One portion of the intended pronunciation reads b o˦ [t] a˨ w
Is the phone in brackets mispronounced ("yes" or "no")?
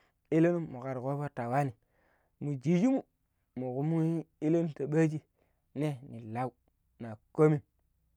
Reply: no